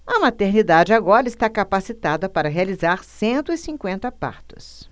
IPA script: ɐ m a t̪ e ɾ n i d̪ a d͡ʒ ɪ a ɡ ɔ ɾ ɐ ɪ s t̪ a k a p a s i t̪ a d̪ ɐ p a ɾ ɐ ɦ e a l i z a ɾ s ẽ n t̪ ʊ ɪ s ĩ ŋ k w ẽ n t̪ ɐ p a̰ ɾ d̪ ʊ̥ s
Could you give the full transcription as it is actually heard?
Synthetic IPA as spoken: ɐ m a t̪ e ɾ n i d̪ a d͡ʒ ɪ a ɡ ɔ ɾ ɐ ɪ s t̪ a k a p a s i t̪ a d̪ ɐ p a ɾ ɐ ɦ e a l i z a ɾ s ẽ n t̪ ʊ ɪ s ĩ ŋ k w ẽ n t̪ ɐ p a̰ ɾ t̪ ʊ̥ s